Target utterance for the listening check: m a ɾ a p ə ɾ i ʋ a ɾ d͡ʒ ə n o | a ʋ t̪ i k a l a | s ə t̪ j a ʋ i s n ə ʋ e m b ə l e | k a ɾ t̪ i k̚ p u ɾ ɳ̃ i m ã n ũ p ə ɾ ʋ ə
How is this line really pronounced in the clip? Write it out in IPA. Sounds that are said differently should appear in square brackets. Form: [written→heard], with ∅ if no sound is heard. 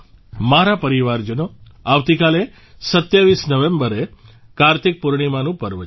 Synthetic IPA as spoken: m a ɾ a p ə ɾ i ʋ a ɾ d͡ʒ ə n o | a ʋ t̪ i k a l [a→e] | s ə t̪ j a ʋ i s n ə ʋ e m b ə [l→ɾ] e | k a ɾ t̪ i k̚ p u ɾ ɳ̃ i m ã n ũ p ə ɾ ʋ ə